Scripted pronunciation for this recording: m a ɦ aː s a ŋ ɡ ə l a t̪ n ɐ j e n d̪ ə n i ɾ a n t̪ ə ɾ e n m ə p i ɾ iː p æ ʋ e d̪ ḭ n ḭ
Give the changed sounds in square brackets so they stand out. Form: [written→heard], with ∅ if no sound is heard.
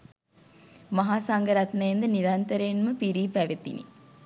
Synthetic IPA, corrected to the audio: m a ɦ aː s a ŋ ɡ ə [l→ɾ] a t̪ n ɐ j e n d̪ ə n i ɾ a n t̪ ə ɾ e n m ə p i ɾ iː p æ ʋ e [d̪→t̪] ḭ n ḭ